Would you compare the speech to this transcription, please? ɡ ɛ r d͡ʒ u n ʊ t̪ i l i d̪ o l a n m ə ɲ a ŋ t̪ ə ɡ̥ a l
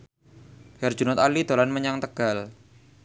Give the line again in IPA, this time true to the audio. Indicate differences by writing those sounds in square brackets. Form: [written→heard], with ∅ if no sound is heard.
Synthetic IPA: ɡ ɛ r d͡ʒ u n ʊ t̪ [i→a] l i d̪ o l a n m ə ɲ a ŋ t̪ ə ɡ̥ a l